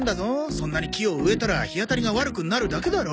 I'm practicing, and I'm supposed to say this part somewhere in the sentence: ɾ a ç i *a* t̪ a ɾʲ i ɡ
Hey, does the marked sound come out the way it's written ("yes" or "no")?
yes